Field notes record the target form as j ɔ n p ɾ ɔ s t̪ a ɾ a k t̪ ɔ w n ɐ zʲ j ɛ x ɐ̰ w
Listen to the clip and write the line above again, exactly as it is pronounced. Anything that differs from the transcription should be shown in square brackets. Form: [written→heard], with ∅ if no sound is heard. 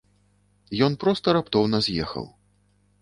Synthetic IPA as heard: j ɔ n p ɾ ɔ s t̪ [a→ɐ] ɾ a [k→p] t̪ ɔ w n ɐ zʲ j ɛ x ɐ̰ w